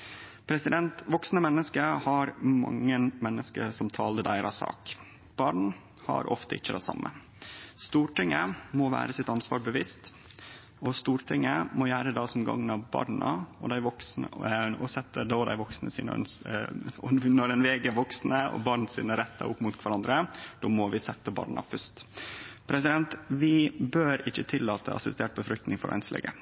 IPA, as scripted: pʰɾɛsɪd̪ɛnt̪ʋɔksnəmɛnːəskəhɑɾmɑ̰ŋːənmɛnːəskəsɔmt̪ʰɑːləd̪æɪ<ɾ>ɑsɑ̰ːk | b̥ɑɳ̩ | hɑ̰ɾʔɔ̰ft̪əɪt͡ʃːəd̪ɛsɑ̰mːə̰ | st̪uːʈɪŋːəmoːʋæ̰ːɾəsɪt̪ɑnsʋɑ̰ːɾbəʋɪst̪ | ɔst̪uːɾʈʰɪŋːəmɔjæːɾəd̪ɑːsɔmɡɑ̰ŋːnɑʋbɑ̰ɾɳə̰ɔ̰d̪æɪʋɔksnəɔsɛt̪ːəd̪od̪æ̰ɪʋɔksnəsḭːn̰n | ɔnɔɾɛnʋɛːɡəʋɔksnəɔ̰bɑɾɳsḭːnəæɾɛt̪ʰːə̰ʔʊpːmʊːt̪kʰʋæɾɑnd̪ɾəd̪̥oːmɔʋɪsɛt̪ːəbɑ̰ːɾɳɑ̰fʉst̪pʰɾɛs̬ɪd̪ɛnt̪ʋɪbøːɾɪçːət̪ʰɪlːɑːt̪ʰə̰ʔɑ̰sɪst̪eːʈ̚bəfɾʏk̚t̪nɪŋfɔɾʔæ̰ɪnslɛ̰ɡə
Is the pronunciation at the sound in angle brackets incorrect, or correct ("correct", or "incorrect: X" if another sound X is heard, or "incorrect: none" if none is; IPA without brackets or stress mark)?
correct